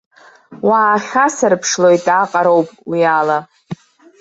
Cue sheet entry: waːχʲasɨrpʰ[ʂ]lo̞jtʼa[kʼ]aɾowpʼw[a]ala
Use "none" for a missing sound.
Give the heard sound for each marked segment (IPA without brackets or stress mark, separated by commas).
ʂ, qʼ, i